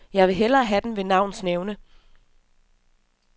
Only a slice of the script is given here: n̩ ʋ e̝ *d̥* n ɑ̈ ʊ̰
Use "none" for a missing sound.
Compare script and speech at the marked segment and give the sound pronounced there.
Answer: none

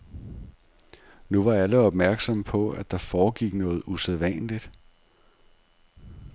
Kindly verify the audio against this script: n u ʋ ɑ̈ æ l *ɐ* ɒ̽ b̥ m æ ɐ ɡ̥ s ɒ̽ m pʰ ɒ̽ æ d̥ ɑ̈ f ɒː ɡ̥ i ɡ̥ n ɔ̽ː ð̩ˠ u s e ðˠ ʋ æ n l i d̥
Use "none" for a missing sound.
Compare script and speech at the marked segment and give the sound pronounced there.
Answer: ə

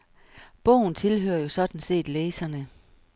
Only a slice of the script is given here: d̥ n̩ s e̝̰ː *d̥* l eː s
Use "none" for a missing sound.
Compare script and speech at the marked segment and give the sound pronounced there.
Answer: d̥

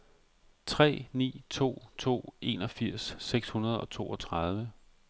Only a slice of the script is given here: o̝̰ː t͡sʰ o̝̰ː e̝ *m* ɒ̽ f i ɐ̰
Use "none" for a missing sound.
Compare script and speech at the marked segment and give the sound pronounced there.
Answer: n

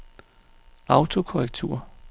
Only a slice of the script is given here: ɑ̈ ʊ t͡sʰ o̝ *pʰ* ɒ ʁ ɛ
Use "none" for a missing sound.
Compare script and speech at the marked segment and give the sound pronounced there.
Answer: kʰ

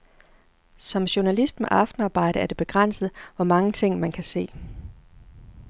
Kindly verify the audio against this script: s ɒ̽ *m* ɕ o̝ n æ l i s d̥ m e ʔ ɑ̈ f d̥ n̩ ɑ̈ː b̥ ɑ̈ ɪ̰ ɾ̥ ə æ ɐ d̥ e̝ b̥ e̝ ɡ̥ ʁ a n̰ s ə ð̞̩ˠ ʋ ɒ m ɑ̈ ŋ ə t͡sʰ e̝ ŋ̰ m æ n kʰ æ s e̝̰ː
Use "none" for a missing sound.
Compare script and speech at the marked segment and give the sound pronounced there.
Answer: m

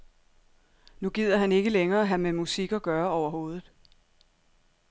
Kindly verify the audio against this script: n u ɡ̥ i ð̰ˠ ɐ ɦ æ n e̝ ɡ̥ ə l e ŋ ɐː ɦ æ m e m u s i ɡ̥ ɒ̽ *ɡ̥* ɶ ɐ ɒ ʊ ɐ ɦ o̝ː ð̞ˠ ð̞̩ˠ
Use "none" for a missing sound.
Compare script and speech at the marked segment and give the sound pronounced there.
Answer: ɡ̥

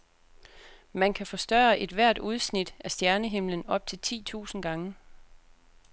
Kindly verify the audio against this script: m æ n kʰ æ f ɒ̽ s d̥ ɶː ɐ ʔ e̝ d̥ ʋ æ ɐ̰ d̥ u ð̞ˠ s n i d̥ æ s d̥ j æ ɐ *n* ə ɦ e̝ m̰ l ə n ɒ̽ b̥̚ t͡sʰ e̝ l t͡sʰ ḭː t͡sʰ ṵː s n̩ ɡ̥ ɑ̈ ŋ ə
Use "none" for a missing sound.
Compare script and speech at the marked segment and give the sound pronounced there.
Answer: n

